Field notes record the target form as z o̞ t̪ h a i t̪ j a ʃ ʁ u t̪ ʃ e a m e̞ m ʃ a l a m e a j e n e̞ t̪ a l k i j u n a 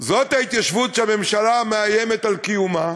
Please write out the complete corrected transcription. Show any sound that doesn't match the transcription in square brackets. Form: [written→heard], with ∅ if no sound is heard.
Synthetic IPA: z o̞ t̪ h a i t̪ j a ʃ [ʁ→v] u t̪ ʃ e a m e̞ m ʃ a l a m e a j e [n→m] e̞ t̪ a l k i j u [n→m] a